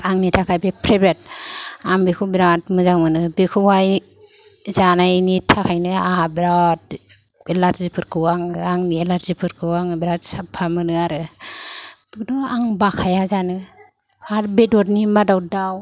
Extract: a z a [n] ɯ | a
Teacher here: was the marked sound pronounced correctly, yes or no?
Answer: yes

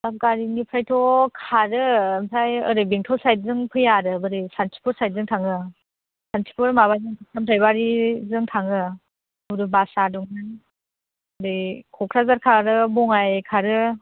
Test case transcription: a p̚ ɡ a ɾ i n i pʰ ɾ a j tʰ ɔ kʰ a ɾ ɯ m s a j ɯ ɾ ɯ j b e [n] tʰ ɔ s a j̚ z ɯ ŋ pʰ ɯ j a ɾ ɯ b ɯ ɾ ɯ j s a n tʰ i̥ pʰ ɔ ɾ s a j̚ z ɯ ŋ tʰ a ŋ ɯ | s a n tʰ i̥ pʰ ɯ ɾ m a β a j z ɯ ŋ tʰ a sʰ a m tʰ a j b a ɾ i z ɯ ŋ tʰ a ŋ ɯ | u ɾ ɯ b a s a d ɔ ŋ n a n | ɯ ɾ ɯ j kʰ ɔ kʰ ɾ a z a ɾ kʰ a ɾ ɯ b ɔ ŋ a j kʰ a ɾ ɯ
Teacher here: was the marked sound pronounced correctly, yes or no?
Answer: no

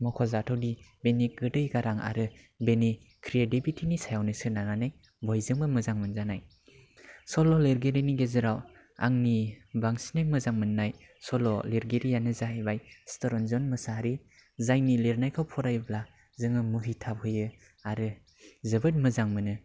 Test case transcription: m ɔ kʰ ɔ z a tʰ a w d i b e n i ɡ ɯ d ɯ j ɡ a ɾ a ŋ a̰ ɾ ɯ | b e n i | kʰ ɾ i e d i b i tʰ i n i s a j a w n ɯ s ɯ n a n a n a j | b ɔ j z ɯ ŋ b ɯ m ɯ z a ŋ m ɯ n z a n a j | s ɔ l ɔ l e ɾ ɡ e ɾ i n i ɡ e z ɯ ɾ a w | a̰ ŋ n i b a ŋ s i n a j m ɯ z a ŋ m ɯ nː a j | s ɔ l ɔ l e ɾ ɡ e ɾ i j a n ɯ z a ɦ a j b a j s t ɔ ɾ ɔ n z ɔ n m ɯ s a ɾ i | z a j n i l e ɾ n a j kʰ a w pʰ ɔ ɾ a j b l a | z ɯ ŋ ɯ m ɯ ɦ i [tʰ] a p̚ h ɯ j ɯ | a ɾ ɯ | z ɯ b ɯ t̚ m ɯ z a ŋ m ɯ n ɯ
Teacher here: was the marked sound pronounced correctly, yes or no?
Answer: yes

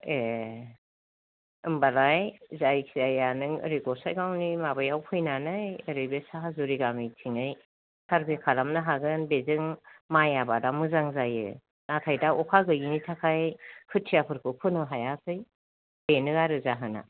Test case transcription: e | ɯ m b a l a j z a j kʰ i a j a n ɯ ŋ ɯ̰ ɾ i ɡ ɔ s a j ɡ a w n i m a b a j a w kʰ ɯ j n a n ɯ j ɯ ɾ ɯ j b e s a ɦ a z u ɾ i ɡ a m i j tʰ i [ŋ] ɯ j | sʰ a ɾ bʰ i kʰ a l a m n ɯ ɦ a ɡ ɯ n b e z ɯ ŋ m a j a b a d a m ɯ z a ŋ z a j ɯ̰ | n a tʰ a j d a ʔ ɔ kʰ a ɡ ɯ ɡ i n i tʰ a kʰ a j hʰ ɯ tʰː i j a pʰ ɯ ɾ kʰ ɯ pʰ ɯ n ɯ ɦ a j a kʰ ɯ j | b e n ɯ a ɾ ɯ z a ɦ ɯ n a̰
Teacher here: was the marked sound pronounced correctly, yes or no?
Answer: yes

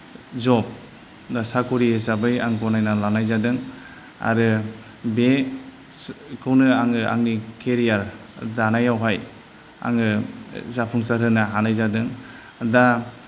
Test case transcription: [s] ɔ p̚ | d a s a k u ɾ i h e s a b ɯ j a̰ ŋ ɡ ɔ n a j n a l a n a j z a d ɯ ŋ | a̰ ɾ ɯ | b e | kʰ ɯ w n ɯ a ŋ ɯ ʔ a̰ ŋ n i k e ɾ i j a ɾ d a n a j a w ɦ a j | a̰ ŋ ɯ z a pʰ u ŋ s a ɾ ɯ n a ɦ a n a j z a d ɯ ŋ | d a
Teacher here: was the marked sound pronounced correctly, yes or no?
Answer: no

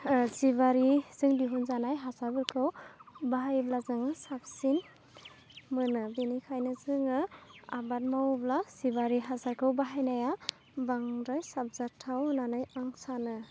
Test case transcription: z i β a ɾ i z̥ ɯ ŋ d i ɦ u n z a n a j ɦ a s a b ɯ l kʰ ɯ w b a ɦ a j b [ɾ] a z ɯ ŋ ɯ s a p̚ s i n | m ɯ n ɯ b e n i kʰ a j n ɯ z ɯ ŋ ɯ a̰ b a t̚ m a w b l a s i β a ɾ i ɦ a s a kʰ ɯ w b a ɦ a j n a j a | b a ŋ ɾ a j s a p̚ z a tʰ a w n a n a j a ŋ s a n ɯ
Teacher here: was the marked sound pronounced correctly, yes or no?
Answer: no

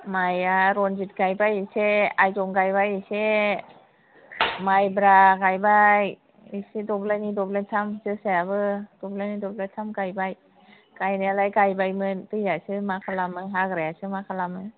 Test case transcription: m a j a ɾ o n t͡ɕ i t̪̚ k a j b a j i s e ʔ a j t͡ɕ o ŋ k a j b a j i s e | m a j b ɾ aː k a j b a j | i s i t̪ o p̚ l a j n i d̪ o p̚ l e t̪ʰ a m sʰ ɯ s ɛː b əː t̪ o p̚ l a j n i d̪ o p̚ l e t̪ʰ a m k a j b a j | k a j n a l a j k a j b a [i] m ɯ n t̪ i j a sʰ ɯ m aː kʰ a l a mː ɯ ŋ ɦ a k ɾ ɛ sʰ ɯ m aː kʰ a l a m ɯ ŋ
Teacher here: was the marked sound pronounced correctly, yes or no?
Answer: no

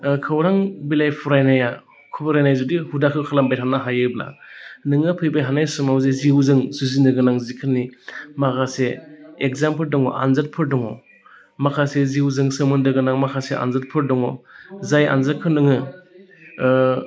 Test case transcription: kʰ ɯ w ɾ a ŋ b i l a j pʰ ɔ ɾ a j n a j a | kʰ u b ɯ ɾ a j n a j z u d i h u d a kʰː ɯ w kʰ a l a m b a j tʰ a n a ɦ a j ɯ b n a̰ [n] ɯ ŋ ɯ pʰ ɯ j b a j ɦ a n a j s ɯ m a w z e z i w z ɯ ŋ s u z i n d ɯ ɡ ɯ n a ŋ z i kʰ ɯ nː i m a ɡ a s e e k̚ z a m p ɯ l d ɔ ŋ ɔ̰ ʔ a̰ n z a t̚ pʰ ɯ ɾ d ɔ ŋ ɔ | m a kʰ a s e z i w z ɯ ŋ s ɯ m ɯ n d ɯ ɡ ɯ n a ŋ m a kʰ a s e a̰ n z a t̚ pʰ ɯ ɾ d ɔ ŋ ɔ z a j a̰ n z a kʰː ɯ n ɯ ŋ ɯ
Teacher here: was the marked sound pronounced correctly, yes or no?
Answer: yes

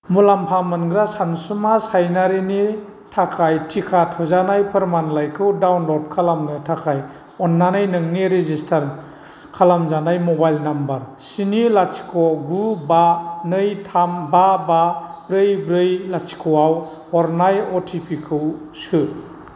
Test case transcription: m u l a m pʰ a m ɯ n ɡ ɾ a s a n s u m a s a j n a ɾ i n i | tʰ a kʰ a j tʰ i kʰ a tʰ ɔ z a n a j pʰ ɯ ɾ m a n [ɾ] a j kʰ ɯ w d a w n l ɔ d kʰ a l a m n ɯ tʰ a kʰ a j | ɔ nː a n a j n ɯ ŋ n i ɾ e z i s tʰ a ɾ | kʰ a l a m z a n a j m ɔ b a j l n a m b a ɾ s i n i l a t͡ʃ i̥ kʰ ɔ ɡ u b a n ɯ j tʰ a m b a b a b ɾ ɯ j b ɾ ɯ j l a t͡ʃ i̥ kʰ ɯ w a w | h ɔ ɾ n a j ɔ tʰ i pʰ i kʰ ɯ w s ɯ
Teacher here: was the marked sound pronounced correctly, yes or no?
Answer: no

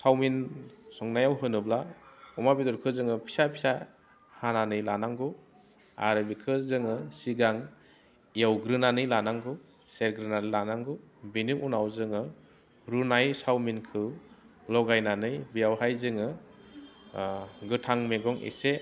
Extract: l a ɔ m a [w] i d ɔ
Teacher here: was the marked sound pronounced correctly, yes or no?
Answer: no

